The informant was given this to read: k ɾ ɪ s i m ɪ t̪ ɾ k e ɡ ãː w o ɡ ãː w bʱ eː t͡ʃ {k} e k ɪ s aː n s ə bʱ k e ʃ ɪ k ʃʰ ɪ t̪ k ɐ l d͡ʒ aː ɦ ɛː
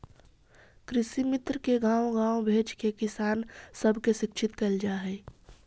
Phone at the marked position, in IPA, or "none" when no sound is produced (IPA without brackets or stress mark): k